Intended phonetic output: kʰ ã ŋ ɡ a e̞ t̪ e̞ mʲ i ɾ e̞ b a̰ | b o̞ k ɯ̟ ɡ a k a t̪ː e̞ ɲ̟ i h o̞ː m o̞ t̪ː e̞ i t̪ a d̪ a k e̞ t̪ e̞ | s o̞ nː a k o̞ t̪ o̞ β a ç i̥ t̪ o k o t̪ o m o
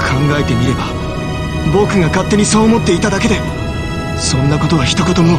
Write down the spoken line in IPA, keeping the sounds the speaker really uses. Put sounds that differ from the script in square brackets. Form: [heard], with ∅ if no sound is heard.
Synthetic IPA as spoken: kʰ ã ŋ ɡ a e̞ t̪ e̞ mʲ i ɾ e̞ b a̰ | b o̞ k ɯ̟ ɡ a k a t̪ː e̞ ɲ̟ i [s] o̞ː m o̞ t̪ː e̞ i t̪ a d̪ a k e̞ [d̪] e̞ | s [õ̞] nː a k o̞ t̪ o̞ β a ç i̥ t̪ o k o t̪ o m o